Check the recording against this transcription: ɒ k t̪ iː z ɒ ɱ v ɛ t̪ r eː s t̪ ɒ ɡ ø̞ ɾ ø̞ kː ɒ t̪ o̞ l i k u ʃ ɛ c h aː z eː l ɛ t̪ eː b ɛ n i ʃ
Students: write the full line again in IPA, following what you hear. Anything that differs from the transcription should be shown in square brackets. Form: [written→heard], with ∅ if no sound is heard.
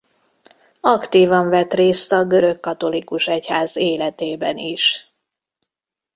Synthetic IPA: ɒ k t̪ iː [z→v] ɒ ɱ v ɛ t̪ r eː s t̪ ɒ ɡ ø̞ ɾ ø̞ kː ɒ t̪ o̞ l i k u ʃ ɛ c h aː z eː l ɛ t̪ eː b ɛ n i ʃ

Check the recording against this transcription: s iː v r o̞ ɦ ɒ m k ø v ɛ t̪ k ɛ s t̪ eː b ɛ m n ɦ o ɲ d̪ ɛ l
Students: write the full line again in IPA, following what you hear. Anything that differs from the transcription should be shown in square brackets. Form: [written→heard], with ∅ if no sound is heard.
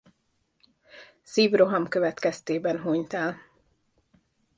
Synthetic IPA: s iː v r o̞ ɦ ɒ m k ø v ɛ t̪ k ɛ s t̪ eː b ɛ [m→∅] n ɦ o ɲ [d̪→t̪] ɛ l

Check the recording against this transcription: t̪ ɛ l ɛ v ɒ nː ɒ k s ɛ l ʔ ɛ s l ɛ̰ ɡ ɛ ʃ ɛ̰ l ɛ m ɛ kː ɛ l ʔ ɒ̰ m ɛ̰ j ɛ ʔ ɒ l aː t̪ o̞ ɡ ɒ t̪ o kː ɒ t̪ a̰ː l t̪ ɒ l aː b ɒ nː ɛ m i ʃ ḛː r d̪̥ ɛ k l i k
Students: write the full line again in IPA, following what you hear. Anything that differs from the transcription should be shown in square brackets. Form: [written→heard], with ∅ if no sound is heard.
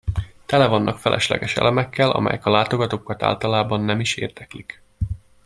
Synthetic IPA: t̪ ɛ l ɛ v ɒ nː ɒ k [s→f] ɛ l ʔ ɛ [s→ʃ] l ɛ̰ ɡ ɛ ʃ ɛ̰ l ɛ m ɛ kː ɛ l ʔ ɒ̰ m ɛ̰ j ɛ [ʔ→k] ɒ l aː t̪ o̞ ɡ ɒ t̪ o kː ɒ t̪ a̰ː l t̪ ɒ l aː b ɒ nː ɛ m i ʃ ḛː r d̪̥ ɛ k l i k

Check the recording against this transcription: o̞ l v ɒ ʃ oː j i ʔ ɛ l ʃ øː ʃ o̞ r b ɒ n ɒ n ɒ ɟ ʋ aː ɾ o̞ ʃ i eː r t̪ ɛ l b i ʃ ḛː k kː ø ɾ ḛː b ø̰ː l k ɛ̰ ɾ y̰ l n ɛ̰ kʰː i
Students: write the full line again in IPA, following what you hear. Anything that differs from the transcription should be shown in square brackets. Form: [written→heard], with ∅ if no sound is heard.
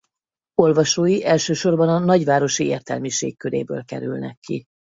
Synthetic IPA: o̞ l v ɒ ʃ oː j i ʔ ɛ l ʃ øː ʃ o̞ r b ɒ n ɒ n ɒ ɟ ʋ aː ɾ o̞ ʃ i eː r t̪ ɛ l [b→m] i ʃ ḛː k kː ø ɾ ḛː b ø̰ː l k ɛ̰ ɾ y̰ l n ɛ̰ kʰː i

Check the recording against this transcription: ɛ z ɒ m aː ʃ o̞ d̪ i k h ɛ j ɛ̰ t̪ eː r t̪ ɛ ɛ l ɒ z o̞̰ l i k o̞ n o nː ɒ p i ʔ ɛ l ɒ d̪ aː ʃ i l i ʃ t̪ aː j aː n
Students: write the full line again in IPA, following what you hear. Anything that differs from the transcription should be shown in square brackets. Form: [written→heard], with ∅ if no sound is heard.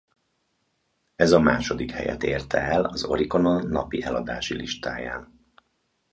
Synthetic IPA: ɛ z ɒ m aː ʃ o̞ d̪ i k h ɛ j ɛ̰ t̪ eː r t̪ ɛ ɛ l ɒ z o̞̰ [l→ɾ] i k o̞ n o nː ɒ p i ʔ ɛ l ɒ d̪ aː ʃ i l i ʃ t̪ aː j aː n

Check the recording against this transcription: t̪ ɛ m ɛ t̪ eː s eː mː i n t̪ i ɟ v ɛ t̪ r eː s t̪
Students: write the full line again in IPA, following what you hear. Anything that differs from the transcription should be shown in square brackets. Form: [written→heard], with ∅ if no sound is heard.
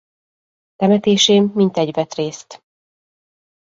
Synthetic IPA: t̪ ɛ m ɛ t̪ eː [s→ʃ] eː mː i n t̪ [i→ɛ] ɟ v ɛ t̪ r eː s t̪

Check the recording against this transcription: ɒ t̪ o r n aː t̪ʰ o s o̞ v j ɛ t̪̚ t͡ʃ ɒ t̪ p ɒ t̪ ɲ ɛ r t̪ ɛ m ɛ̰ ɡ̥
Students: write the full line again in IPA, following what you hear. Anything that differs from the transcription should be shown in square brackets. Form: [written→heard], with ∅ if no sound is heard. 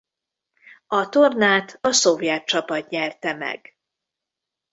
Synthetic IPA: ɒ t̪ o r n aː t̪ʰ [o→ɒ] s o̞ v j ɛ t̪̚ t͡ʃ ɒ [t̪→∅] p ɒ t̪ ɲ ɛ r t̪ ɛ m ɛ̰ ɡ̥

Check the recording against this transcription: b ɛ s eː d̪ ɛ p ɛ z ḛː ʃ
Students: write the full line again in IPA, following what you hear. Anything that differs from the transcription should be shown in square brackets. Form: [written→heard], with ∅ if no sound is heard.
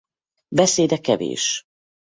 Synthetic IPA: b ɛ s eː d̪ ɛ [p→k] ɛ [z→v] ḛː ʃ

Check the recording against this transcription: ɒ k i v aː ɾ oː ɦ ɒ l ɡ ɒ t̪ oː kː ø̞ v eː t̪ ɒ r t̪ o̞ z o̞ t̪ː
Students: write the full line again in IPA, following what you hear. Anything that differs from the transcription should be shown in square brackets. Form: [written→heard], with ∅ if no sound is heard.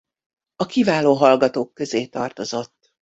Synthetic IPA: ɒ k i v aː [ɾ→l] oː ɦ ɒ l ɡ ɒ t̪ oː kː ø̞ [v→z] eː t̪ ɒ r t̪ o̞ z o̞ t̪ː

